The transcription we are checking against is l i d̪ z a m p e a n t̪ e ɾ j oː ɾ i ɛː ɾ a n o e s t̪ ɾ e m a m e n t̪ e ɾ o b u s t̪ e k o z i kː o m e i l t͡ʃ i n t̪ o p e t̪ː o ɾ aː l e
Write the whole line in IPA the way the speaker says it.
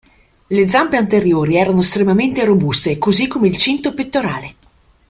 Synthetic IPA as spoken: l e d̪ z a m p e a n t̪ e ɾ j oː ɾ i ɛː ɾ a n o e s t̪ ɾ e m a m e n t̪ e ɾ o b u s t̪ e k o z i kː o m e i l t͡ʃ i n t̪ o p e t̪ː o ɾ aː l e